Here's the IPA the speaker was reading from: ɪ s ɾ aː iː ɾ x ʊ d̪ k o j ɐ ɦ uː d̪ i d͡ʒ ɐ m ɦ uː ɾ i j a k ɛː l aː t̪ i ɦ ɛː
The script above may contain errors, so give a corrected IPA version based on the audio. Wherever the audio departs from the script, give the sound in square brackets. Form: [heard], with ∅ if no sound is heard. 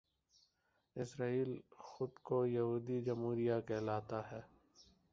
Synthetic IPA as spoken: ɪ s ɾ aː iː [l] x ʊ d̪ k o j ɐ ɦ uː d̪ i d͡ʒ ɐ m ɦ uː ɾ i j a k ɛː l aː t̪ [a] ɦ ɛː